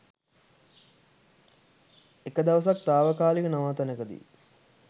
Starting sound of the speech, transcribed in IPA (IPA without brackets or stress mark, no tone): e